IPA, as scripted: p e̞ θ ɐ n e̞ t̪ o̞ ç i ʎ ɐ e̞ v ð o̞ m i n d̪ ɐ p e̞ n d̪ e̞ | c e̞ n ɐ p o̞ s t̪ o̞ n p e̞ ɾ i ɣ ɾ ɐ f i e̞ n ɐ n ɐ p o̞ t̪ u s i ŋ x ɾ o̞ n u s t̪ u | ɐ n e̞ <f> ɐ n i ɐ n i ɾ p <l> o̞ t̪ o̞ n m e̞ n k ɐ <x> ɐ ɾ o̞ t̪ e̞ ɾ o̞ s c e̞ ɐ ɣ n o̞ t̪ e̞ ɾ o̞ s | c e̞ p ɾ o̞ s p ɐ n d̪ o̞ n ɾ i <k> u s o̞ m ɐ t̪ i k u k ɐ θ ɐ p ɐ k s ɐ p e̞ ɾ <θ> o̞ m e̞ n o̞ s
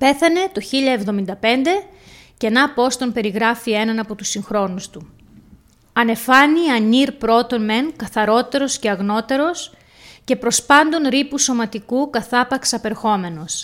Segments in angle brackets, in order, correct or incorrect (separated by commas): correct, incorrect, incorrect, incorrect, incorrect